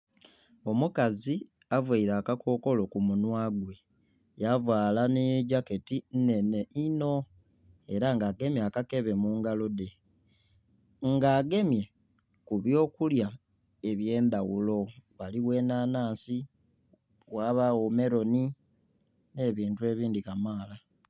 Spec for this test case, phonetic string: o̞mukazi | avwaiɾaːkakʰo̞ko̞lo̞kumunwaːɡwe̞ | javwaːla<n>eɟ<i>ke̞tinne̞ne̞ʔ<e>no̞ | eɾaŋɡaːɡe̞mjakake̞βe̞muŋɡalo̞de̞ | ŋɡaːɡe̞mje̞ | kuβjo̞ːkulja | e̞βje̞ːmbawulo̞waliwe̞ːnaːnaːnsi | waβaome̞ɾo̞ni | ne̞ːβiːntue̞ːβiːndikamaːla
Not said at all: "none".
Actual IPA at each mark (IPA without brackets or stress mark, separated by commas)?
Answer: n, a, i